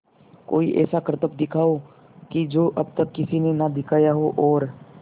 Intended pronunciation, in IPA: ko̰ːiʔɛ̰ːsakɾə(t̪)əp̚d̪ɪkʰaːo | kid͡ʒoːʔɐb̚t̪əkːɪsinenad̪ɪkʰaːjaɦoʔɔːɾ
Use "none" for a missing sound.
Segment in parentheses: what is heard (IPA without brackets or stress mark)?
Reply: t̪